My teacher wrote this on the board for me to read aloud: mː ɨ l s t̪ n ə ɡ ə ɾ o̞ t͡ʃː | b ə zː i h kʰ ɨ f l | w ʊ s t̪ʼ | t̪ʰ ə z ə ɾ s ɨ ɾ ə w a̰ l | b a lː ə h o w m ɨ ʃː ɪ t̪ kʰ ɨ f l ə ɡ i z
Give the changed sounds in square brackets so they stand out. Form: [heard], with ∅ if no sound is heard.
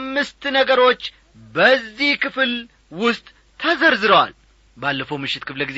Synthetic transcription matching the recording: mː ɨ [∅] s t̪ n ə ɡ ə ɾ o̞ t͡ʃː | b ə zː i h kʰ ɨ f l | w ʊ s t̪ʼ | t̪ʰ ə z ə ɾ [z] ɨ ɾ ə w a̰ l | b a lː ə [f] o w m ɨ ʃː ɪ t̪ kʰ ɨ f l ə ɡ i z